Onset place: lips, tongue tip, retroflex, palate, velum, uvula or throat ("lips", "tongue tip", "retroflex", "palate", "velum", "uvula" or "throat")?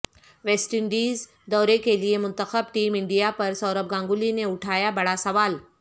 lips